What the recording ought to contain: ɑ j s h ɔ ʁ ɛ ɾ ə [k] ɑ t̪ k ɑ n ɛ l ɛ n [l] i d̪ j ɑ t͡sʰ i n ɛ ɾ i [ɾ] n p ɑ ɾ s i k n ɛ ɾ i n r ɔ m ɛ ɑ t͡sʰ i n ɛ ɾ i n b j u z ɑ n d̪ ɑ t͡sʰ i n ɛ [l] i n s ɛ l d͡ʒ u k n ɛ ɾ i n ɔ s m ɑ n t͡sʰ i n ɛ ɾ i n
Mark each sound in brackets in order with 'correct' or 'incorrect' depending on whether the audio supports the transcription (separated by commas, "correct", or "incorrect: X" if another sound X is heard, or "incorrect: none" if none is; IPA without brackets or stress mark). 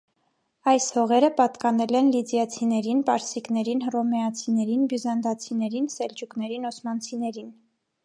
incorrect: p, correct, incorrect: none, incorrect: ɾ